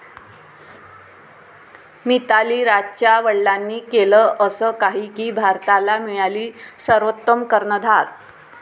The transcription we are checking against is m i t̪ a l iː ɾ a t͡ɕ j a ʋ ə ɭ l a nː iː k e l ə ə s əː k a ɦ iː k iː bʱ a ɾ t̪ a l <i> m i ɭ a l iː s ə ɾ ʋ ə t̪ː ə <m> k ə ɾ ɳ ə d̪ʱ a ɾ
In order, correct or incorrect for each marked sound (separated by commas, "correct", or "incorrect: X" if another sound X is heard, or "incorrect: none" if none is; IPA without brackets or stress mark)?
incorrect: a, correct